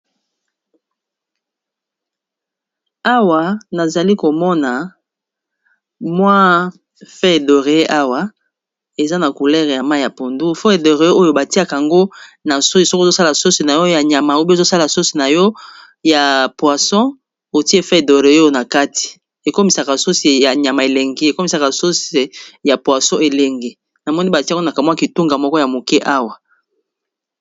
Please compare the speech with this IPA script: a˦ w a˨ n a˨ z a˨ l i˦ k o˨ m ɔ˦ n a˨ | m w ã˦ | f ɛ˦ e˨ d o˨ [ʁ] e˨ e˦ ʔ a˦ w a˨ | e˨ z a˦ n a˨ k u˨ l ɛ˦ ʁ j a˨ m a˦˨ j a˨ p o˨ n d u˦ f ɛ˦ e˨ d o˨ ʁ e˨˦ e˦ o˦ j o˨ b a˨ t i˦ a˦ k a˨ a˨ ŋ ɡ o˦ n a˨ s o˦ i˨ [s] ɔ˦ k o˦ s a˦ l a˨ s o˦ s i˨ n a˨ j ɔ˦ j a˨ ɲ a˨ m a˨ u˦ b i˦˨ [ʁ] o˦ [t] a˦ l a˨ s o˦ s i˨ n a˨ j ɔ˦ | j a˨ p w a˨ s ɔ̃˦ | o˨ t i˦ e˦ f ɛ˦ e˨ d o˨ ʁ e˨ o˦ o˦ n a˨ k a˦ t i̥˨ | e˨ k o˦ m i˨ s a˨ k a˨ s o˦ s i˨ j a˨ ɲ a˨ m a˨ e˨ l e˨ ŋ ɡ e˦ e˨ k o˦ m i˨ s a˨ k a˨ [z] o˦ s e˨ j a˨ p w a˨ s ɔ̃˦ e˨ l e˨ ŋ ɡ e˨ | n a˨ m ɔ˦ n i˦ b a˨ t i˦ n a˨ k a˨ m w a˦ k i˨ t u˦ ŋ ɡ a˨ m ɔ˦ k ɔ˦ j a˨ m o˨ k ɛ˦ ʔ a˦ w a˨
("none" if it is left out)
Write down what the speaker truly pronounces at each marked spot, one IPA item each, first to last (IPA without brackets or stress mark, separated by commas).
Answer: ʁ, s, z, s, s